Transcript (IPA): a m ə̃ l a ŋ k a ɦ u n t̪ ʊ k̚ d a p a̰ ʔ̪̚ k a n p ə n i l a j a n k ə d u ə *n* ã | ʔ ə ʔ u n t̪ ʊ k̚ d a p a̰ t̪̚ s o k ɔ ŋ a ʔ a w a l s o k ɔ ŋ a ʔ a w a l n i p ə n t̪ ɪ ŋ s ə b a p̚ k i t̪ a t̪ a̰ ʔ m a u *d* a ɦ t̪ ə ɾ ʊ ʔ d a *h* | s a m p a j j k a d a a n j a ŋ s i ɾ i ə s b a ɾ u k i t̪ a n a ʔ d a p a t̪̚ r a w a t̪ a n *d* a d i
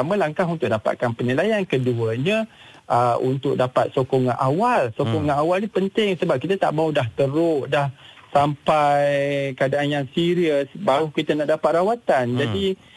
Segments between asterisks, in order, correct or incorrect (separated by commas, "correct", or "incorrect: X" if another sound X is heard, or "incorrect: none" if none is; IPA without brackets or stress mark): incorrect: ɲ, correct, correct, incorrect: d͡ʒ